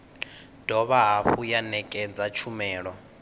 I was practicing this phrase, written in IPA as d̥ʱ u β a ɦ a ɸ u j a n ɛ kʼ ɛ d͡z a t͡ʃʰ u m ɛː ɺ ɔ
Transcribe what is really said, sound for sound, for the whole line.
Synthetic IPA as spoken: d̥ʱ ɔ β a ɦ a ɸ u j a n ɛ kʼ ɛ d͡z a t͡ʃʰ u m ɛː ɺ ɔ